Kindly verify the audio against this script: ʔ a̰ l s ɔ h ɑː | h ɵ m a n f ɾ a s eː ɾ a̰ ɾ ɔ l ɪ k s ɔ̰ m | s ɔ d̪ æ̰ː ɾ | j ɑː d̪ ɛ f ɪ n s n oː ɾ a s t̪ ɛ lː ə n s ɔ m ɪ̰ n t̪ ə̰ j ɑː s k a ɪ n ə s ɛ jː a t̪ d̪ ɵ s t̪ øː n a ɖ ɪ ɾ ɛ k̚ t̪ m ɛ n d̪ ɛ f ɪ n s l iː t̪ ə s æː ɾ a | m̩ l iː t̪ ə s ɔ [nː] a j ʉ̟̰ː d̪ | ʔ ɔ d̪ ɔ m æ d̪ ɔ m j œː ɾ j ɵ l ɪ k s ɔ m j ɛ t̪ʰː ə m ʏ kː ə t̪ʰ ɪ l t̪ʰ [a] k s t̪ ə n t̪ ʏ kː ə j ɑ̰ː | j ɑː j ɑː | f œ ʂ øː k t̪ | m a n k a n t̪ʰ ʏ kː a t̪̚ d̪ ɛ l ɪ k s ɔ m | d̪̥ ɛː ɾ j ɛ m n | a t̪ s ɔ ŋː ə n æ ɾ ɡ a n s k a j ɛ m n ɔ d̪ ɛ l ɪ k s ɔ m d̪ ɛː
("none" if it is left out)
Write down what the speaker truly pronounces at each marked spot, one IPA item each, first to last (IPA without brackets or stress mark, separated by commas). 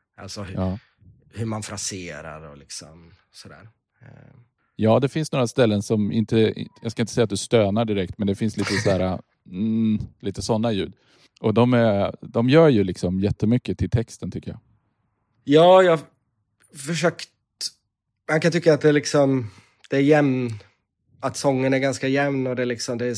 nː, ɛ